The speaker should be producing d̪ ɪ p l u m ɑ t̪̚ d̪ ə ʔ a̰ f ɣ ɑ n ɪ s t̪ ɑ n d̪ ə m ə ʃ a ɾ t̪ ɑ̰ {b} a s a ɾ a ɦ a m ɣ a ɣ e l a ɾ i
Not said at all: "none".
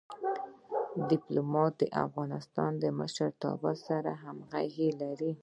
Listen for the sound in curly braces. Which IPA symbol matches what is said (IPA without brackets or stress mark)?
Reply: b